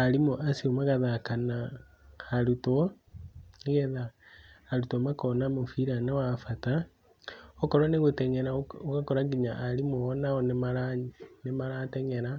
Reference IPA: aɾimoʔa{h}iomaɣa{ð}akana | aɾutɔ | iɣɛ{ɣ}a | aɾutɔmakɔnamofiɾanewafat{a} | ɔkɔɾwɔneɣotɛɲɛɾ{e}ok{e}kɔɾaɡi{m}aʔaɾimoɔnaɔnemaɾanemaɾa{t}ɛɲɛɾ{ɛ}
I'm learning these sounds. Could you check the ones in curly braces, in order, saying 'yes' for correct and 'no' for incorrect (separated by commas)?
no, yes, no, yes, no, no, no, yes, no